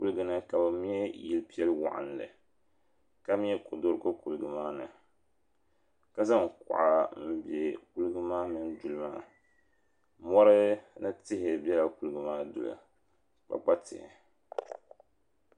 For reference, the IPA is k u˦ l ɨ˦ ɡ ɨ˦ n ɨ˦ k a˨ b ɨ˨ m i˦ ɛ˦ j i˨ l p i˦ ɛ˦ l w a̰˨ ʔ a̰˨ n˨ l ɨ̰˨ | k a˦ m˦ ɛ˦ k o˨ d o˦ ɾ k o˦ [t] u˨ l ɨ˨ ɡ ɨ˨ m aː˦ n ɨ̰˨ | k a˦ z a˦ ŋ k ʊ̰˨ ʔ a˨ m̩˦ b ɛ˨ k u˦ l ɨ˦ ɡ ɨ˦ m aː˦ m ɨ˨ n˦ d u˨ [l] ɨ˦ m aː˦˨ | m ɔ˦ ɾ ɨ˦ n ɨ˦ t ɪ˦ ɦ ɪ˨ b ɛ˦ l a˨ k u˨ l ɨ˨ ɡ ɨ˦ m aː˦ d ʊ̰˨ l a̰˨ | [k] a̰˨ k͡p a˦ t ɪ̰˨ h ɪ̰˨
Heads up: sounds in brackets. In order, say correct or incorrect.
incorrect: k, correct, incorrect: k͡p

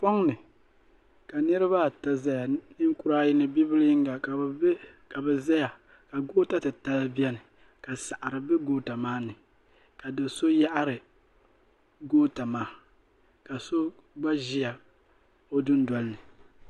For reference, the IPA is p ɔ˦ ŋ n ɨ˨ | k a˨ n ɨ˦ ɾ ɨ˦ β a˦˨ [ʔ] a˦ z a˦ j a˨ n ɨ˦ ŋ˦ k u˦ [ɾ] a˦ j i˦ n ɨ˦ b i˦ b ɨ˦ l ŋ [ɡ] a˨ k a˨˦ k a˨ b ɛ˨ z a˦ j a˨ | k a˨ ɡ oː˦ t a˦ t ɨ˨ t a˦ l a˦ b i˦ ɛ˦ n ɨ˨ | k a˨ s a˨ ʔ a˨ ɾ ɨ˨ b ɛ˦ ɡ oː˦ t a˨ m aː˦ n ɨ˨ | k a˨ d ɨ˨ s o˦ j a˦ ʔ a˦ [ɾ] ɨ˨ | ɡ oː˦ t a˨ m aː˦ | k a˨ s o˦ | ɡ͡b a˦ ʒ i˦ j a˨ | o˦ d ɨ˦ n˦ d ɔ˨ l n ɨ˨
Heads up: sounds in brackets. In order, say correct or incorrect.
incorrect: t, correct, correct, correct

